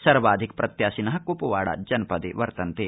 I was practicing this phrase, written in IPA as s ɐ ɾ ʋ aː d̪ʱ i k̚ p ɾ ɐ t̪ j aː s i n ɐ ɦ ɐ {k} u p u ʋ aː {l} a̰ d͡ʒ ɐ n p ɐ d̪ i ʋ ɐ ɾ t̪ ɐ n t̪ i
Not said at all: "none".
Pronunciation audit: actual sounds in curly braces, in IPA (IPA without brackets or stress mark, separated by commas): k, ɽ